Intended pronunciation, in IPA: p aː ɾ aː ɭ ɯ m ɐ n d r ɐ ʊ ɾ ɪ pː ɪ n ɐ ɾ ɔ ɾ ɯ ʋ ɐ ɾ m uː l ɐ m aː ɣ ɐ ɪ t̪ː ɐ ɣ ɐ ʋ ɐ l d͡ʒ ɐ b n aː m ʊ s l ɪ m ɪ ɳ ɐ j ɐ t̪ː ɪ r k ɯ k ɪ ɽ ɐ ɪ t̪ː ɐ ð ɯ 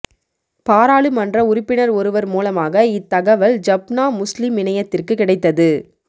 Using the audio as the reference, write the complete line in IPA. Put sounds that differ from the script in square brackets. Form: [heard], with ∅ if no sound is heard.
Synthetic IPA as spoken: p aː ɾ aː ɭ ɯ m ɐ n d r ɐ ʊ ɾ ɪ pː ɪ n ɐ ɾ ɔ ɾ ɯ ʋ ɐ ɾ m uː l ɐ m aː ɣ ɐ ɪ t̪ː ɐ ɣ ɐ ʋ ɐ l d͡ʒ ɐ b n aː m ʊ s l ɪ m ɪ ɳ ɐ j ɐ t̪ː ɪ r k ɯ k ɪ ɽ ɐ ɪ t̪ː ɐ ð ɯ

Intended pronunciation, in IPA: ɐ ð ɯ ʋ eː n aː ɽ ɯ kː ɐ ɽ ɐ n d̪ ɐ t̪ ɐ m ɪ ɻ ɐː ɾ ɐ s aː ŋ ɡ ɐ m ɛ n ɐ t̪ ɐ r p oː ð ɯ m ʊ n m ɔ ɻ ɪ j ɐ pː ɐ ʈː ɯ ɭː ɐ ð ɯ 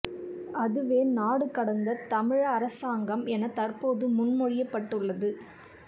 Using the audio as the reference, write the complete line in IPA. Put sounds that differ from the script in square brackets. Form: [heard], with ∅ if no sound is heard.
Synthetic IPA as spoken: ɐ ð ɯ ʋ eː n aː ɽ ɯ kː ɐ ɽ ɐ n d̪ ɐ t̪ ɐ m ɪ ɻ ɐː ɾ ɐ s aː ŋ ɡ ɐ m ɛ n ɐ t̪ ɐ r p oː ð ɯ m ʊ n m ɔ ɻ ɪ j ɐ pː ɐ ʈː ɯ ɭː ɐ ð ɯ

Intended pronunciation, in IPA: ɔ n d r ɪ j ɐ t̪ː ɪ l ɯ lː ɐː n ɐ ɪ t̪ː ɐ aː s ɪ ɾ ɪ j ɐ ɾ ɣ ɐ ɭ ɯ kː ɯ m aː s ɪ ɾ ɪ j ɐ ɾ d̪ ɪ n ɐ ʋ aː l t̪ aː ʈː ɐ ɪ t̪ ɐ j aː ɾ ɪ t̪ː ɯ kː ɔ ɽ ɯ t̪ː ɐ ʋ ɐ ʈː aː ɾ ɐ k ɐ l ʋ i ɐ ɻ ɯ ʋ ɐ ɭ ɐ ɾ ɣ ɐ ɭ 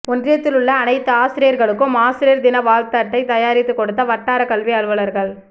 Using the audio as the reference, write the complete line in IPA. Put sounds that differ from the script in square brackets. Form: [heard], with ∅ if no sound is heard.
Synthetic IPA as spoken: ɔ n d r ɪ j ɐ t̪ː ɪ l ɯ [ɭː] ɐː n ɐ ɪ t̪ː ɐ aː s ɪ ɾ ɪ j ɐ ɾ ɣ ɐ ɭ ɯ kː ɯ m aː s ɪ ɾ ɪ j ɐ ɾ d̪ ɪ n ɐ ʋ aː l t̪ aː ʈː ɐ ɪ t̪ ɐ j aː ɾ ɪ t̪ː ɯ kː ɔ ɽ ɯ t̪ː ɐ ʋ ɐ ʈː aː ɾ ɐ k ɐ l ʋ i ɐ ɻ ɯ ʋ ɐ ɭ ɐ ɾ ɣ ɐ ɭ

